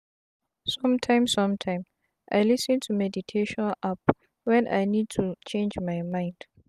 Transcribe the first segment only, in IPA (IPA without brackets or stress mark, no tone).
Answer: s